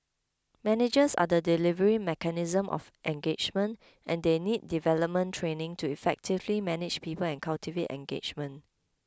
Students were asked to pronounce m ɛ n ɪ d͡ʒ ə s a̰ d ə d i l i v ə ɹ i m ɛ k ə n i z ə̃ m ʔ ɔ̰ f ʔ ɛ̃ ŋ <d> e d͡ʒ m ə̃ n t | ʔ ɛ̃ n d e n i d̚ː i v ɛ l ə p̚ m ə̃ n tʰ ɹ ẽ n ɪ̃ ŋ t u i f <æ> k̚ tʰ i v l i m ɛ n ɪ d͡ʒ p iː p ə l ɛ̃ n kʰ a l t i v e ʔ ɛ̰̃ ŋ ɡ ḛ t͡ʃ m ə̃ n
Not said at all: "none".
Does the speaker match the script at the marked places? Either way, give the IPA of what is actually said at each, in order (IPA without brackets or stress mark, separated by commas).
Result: ɡ, ɛ